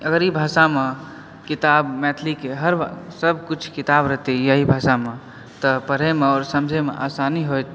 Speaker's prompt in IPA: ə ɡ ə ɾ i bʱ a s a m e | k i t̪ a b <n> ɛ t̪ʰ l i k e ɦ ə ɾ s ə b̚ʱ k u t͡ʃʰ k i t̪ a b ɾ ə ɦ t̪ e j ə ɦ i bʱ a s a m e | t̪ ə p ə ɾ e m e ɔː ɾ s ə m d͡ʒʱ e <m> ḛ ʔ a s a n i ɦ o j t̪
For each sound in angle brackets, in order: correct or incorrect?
incorrect: m, correct

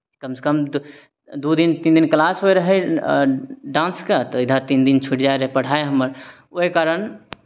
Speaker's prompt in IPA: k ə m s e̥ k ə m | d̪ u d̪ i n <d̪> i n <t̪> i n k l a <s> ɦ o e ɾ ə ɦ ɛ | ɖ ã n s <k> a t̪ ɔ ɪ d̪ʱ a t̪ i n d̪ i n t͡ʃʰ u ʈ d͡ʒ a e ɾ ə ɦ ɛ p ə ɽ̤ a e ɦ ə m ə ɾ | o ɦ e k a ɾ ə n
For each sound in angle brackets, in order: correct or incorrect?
incorrect: t̪, incorrect: d̪, correct, correct

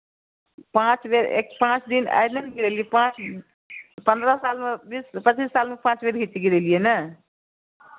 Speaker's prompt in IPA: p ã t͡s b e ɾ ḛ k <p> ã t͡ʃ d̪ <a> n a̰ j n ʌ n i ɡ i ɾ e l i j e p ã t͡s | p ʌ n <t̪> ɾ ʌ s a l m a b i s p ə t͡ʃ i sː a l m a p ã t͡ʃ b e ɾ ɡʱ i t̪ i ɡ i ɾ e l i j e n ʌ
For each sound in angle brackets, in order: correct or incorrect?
correct, incorrect: i, incorrect: d̪

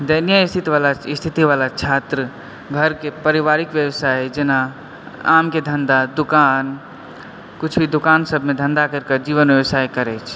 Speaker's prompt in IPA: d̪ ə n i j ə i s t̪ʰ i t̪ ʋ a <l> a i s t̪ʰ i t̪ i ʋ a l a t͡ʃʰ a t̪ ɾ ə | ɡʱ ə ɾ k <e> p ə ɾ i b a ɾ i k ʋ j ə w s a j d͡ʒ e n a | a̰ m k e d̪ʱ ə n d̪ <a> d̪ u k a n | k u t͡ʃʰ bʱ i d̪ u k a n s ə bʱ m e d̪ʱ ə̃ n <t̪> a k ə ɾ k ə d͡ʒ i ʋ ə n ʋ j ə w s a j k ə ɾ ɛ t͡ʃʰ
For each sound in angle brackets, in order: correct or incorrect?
correct, correct, correct, incorrect: d̪

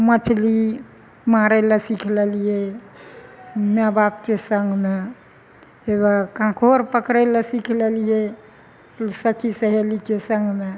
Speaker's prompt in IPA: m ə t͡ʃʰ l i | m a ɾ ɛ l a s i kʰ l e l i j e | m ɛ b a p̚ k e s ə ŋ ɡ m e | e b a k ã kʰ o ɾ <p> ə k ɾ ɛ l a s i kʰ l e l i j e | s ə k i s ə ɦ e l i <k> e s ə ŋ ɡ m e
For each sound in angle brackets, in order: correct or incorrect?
correct, correct

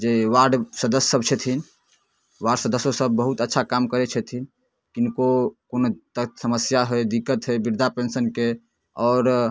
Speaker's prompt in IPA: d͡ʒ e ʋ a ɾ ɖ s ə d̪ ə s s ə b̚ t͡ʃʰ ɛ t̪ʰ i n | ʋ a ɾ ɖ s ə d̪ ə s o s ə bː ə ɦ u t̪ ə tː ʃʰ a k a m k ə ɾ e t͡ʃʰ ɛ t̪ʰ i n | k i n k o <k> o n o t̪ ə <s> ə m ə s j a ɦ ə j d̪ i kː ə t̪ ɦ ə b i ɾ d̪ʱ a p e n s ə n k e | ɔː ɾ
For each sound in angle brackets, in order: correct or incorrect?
correct, correct

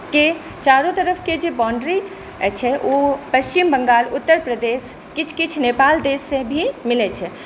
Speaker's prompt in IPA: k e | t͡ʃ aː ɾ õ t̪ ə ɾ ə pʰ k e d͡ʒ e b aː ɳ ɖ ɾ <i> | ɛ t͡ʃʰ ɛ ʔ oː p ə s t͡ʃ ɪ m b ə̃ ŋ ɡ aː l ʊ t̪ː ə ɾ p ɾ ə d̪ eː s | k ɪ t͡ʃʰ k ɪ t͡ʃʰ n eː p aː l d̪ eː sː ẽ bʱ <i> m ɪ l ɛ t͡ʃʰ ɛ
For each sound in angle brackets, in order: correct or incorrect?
correct, correct

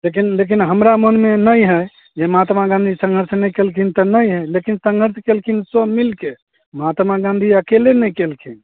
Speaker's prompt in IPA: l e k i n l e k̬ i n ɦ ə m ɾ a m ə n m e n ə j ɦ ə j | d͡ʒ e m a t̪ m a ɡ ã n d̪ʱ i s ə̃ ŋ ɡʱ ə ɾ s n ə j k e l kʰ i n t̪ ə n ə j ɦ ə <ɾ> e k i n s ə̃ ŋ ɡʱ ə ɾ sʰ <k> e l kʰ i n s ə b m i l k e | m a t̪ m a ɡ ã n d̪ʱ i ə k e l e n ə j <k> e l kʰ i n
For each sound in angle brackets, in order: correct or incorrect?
incorrect: l, correct, correct

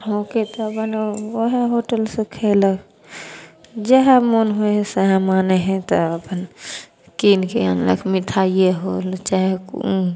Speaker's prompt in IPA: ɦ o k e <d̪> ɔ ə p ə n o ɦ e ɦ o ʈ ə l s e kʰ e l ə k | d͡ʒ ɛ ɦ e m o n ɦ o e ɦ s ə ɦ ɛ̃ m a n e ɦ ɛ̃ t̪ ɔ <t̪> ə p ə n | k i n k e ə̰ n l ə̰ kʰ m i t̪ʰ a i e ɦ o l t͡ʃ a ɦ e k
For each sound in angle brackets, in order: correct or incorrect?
incorrect: t̪, incorrect: none

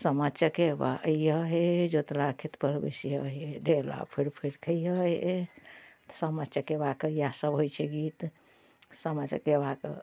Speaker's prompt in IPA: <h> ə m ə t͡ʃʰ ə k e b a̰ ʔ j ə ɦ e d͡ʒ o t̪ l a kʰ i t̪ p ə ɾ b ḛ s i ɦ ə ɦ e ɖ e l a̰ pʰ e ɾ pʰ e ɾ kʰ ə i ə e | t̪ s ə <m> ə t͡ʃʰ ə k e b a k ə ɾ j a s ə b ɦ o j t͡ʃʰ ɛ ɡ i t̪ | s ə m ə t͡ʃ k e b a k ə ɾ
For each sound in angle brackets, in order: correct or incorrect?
incorrect: s, correct

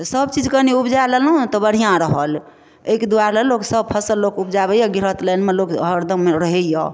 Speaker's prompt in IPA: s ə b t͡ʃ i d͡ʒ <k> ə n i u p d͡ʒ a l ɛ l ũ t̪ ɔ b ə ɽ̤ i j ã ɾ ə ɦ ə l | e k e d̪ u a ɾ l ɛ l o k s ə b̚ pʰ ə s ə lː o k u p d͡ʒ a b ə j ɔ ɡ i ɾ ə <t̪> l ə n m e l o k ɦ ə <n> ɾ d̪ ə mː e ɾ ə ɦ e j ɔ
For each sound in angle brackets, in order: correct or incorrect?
correct, correct, incorrect: none

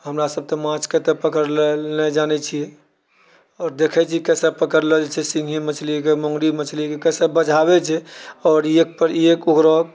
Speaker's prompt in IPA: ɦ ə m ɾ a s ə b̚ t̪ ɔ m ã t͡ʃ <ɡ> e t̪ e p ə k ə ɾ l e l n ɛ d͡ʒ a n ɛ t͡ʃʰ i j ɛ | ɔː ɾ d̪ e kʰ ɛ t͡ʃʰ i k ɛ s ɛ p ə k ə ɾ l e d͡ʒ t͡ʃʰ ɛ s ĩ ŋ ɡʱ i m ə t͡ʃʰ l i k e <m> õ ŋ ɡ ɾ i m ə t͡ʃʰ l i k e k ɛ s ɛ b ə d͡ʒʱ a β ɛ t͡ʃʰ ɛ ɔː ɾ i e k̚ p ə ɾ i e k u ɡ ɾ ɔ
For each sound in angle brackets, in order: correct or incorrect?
incorrect: k, correct

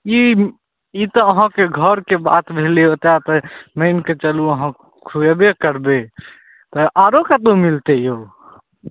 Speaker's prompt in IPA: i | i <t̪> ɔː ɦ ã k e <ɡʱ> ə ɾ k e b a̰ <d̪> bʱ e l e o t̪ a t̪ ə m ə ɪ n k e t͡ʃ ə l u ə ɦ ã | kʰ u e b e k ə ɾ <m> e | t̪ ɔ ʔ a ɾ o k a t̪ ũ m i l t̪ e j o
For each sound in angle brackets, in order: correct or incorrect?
correct, correct, incorrect: t̪, incorrect: b

